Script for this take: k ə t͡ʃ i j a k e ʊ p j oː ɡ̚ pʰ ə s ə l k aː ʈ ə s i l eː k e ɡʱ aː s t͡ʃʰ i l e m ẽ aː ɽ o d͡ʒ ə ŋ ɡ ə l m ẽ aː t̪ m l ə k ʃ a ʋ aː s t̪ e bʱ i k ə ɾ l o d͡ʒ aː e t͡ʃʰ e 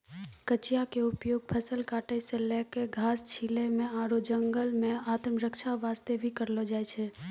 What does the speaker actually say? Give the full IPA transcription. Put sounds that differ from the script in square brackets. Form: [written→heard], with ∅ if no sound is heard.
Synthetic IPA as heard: k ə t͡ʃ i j a k e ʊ p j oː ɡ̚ pʰ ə s ə l k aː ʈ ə s [i→e] l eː k e ɡʱ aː s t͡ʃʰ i l e m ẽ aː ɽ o d͡ʒ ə ŋ ɡ ə l m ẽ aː t̪ m [l→ɾ] ə k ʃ a ʋ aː s t̪ e bʱ i k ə ɾ l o d͡ʒ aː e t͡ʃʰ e